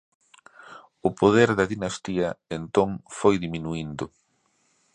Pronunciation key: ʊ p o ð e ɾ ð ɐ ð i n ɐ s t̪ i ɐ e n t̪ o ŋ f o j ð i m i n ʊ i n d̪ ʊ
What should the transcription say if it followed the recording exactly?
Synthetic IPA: ʊ p o ð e ɾ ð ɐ ð i n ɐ s t̪ i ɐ e n t̪ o ŋ f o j ð i m i n u i n d̪ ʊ